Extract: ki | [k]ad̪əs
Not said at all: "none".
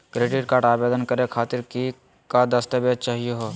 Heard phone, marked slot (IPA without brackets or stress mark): k